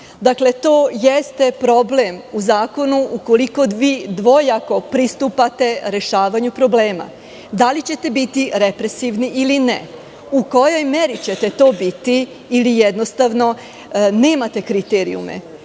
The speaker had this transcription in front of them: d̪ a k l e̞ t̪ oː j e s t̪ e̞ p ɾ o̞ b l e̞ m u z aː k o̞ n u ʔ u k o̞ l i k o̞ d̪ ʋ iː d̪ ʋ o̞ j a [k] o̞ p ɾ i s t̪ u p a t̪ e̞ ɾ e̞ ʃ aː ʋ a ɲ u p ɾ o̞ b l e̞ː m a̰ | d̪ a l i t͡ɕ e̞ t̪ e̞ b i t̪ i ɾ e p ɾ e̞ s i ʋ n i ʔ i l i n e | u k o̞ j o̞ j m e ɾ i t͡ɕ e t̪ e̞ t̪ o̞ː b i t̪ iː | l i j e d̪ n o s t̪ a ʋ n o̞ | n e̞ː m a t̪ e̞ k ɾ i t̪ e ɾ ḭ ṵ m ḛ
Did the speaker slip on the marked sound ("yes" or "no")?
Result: no